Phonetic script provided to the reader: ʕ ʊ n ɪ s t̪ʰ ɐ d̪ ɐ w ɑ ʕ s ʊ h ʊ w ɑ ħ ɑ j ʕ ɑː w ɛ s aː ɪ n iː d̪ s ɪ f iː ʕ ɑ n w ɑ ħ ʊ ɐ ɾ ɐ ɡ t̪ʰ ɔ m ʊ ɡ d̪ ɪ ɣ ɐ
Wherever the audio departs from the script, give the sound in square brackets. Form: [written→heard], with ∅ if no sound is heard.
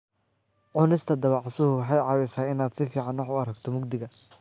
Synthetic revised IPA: ʕ ʊ n ɪ s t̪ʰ ɐ d̪ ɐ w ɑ ʕ s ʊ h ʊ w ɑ ħ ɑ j ʕ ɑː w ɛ s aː ɪ n [iː→aː] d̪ s ɪ f iː ʕ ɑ n w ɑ ħ ʊ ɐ ɾ ɐ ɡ t̪ʰ ɔ m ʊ ɡ d̪ ɪ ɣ ɐ